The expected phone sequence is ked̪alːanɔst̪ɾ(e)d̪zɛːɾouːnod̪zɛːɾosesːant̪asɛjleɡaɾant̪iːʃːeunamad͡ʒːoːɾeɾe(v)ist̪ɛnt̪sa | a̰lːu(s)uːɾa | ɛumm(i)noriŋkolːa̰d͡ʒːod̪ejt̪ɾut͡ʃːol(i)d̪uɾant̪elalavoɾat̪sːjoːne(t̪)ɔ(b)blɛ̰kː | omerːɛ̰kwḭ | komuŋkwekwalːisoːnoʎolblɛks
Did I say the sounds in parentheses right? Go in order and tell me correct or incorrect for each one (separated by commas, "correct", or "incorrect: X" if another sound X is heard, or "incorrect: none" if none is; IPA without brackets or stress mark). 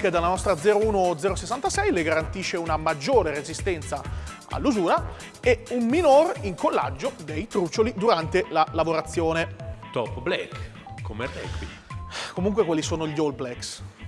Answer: incorrect: a, incorrect: z, incorrect: z, correct, correct, correct, incorrect: p